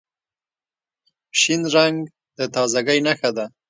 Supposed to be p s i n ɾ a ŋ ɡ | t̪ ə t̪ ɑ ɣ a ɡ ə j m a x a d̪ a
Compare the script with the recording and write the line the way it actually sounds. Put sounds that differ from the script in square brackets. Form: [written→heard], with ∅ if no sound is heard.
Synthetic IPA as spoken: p [s→ʃ] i n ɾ a ŋ ɡ | [t̪→d̪] ə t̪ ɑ [ɣ→z] a ɡ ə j [m→n] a x a d̪ a